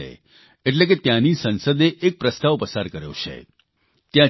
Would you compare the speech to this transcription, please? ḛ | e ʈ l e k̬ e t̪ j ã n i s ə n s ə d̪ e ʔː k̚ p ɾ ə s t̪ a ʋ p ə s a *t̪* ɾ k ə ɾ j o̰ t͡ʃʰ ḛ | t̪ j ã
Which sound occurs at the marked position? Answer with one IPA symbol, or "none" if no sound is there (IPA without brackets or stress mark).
none